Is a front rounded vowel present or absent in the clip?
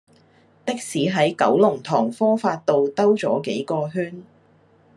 present